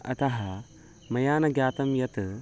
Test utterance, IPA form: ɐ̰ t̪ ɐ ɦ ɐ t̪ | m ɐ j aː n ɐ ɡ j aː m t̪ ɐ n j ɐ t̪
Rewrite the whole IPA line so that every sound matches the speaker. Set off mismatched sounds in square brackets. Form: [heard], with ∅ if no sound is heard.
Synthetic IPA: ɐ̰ t̪ ɐ ɦ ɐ [∅] | m ɐ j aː n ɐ ɡ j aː [∅] t̪ ɐ [m] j ɐ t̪